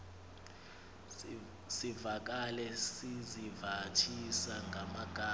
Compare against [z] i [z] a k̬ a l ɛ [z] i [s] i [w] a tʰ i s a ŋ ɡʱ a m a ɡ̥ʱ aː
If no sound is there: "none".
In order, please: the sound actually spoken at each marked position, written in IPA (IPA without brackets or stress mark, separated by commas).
s, v, s, z, v